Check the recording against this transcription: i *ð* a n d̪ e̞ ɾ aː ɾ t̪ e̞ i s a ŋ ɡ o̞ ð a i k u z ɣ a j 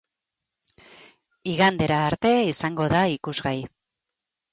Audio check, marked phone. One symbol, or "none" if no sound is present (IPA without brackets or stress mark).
ɣ